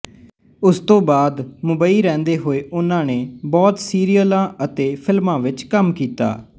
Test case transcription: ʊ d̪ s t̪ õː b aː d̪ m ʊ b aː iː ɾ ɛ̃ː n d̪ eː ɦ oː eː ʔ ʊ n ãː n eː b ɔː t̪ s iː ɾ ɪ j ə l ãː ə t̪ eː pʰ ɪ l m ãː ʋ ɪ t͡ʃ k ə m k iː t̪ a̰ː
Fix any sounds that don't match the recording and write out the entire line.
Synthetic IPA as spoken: ʊ s t̪ õː b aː d̪ m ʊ b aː iː ɾ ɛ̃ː n d̪ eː ɦ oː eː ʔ ʊ n ãː n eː b ɔː t̪ s iː ɾ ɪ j ə l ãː ə t̪ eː pʰ ɪ l m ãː ʋ ɪ t͡ʃ k ə m k iː t̪ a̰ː